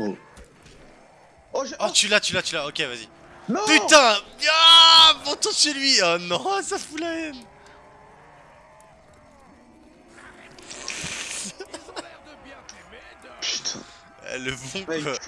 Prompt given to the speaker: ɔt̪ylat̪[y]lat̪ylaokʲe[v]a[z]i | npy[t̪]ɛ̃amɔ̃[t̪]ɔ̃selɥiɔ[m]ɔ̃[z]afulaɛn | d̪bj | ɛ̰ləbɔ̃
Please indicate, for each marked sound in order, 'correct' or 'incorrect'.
correct, correct, correct, correct, correct, incorrect, incorrect

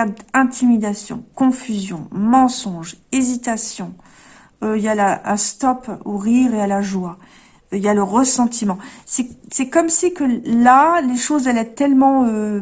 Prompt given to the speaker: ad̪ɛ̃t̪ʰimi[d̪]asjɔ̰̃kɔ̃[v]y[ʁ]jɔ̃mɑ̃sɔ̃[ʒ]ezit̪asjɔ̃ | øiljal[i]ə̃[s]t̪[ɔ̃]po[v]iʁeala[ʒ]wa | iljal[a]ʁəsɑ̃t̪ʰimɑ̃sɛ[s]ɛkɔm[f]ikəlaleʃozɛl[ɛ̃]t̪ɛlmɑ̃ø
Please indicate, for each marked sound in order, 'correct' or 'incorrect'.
correct, incorrect, incorrect, correct, incorrect, correct, incorrect, incorrect, correct, incorrect, correct, incorrect, incorrect

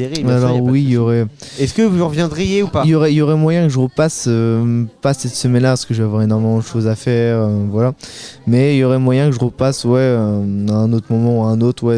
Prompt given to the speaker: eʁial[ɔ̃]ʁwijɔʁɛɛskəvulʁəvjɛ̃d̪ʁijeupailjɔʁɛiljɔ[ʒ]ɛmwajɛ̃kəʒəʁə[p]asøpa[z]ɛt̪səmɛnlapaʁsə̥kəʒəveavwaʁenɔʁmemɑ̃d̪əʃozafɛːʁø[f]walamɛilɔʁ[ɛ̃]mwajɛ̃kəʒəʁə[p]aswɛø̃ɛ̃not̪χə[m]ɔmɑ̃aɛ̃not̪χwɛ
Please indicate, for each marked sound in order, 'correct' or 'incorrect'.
incorrect, incorrect, correct, incorrect, incorrect, incorrect, correct, correct

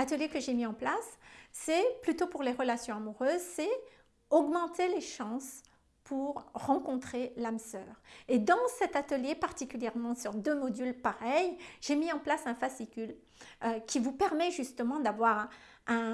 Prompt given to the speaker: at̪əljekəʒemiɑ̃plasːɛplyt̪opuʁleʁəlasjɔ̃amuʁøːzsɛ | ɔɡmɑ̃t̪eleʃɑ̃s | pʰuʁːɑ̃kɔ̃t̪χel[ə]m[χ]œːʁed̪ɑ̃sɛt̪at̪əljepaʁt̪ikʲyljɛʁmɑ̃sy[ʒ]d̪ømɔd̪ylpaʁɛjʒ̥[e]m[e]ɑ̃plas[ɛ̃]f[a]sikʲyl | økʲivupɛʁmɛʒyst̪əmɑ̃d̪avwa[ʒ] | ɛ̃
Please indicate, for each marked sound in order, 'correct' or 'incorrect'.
incorrect, incorrect, incorrect, correct, incorrect, correct, correct, incorrect

